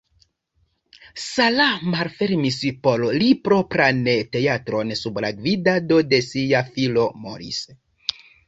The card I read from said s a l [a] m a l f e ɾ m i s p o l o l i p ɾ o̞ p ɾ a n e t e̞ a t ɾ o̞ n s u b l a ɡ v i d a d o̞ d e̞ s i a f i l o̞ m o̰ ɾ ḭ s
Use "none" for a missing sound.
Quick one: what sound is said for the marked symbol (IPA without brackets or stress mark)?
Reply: a